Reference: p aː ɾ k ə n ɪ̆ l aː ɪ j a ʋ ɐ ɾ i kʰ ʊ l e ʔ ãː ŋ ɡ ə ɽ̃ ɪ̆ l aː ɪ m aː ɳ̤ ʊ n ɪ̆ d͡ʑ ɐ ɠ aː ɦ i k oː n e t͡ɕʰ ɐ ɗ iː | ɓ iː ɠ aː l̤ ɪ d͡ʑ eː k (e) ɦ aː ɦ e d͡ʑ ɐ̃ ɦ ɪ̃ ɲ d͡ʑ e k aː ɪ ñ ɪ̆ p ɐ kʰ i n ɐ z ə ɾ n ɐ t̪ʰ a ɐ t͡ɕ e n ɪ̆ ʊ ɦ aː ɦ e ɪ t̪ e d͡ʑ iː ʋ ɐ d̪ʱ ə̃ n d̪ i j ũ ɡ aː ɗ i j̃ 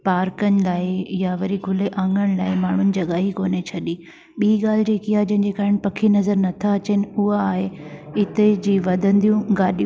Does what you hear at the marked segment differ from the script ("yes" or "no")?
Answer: yes